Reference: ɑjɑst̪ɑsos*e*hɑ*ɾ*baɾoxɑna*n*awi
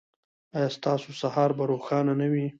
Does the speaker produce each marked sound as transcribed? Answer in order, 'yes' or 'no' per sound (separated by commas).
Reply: no, yes, yes